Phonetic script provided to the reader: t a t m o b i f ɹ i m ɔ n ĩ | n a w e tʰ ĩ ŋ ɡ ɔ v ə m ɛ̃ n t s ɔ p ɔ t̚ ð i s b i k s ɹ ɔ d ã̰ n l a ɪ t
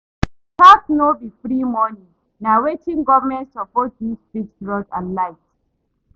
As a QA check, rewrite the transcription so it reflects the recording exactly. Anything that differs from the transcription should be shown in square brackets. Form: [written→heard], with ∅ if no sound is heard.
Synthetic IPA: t a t [m→n] o b i f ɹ i m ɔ n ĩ | n a w e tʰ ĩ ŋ ɡ ɔ v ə m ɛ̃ n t s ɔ p ɔ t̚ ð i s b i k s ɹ ɔ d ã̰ n l a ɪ t

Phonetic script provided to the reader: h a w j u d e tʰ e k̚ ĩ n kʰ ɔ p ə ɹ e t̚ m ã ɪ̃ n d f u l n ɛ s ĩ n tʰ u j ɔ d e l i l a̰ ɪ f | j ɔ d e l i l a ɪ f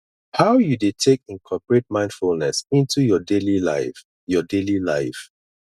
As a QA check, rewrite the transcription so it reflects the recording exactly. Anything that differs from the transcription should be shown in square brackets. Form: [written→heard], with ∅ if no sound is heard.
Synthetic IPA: h a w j u d e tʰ e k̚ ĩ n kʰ ɔ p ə ɹ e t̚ m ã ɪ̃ n d f u l n ɛ s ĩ n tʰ u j ɔ d e l i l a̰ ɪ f | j ɔ d e l i l a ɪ f

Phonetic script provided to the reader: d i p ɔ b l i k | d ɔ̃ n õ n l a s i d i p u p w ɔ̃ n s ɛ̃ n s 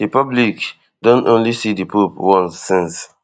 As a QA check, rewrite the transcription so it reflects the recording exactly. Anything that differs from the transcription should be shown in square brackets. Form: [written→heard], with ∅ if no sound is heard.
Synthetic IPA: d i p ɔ b l i k | d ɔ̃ n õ n l [a→i] s i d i p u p w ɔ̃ n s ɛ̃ n s

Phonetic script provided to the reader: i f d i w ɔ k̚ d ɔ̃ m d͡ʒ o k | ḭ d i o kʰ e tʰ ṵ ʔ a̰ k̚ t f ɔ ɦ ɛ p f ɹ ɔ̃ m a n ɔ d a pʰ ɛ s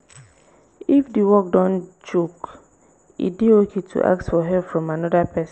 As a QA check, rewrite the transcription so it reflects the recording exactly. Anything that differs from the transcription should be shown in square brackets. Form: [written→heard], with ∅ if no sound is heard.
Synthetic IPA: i f d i w ɔ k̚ d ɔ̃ [m→n] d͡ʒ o k | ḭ d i o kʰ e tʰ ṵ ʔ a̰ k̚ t f ɔ ɦ ɛ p f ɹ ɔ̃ m a n ɔ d a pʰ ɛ s

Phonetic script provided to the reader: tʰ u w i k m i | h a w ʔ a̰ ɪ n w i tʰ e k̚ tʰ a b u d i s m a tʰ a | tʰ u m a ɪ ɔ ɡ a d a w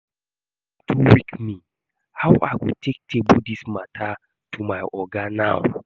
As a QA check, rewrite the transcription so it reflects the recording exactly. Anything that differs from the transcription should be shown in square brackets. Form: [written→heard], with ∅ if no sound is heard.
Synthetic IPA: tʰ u w i k m i | h a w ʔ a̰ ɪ [n→∅] w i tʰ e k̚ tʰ [a→e] b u d i s m a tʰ a | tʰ u m a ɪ ɔ ɡ a [d→n] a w

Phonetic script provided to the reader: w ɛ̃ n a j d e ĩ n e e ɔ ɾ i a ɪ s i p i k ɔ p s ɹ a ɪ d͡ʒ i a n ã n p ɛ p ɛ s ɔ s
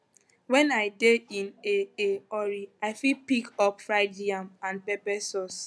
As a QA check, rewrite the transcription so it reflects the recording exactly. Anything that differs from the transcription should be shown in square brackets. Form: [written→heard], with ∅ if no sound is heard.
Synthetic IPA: w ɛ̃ n a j d e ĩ n e e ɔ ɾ i a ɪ [s→f] i p i k ɔ p [s→f] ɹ a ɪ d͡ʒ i a [n→m] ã n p ɛ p ɛ s ɔ s

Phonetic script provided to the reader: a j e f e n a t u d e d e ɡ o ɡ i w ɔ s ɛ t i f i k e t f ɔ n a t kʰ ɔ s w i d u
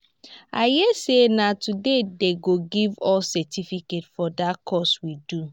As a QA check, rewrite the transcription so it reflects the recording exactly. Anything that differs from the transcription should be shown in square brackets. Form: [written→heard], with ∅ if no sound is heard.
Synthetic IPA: a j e [f→s] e n a t u d e d e ɡ o ɡ i [w→v] ɔ s ɛ t i f i k e t f ɔ [n→d] a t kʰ ɔ s w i d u

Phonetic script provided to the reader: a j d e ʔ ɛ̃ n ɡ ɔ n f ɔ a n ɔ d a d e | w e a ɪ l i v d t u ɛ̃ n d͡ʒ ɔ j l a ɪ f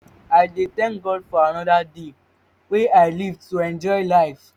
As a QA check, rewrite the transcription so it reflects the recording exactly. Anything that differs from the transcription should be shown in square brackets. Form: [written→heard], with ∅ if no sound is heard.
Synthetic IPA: a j d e [ʔ→t] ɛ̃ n ɡ ɔ [n→d] f ɔ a n ɔ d a d e | w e a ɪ l i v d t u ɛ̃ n d͡ʒ ɔ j l a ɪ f

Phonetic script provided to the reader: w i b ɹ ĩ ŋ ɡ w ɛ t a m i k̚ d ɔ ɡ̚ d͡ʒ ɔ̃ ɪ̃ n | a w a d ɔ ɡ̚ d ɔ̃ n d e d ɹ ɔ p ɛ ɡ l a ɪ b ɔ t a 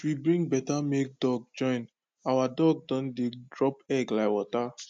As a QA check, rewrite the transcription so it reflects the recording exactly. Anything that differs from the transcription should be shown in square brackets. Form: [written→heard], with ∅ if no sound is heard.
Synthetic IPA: w i b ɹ ĩ ŋ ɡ [w→b] ɛ t a m [i→e] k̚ d ɔ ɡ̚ d͡ʒ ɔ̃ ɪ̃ n | a w a d ɔ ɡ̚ d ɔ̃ n d e d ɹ ɔ p ɛ ɡ l a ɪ [b→w] ɔ t a

